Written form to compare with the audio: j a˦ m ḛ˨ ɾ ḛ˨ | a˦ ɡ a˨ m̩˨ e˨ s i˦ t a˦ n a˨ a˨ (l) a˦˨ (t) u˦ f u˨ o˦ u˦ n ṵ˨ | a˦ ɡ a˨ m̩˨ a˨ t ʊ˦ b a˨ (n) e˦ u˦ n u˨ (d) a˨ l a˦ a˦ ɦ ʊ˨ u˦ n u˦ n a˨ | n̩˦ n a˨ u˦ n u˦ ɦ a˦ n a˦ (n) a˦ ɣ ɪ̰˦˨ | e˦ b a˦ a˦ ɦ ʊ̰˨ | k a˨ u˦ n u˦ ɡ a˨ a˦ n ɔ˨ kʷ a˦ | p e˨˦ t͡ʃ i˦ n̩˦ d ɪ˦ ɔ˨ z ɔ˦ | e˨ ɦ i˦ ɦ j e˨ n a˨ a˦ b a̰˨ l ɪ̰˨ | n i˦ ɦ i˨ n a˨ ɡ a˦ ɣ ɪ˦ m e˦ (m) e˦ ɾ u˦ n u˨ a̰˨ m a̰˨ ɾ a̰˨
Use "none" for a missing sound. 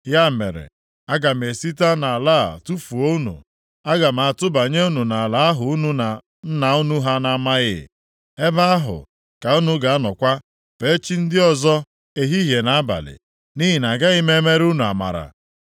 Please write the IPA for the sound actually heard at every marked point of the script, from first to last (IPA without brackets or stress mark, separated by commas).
l, t, ɲ, n, m, m